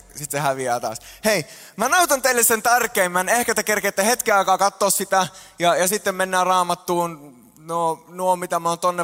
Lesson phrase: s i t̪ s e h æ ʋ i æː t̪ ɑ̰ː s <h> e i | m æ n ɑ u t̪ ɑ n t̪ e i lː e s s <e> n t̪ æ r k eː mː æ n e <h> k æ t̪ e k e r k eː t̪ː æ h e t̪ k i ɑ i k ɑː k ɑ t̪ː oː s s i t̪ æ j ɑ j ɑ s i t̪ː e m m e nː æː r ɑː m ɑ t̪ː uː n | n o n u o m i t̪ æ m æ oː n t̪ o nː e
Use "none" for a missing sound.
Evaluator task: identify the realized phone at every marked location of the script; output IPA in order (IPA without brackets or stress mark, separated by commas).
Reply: h, e, h